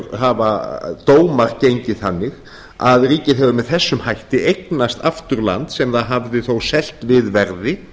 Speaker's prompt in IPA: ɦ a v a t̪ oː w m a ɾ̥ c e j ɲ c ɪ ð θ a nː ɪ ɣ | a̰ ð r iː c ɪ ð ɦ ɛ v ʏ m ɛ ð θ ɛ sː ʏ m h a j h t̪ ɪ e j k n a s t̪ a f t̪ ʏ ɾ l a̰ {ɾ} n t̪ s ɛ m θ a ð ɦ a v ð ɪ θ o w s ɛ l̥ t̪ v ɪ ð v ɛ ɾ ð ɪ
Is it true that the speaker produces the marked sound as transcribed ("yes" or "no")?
no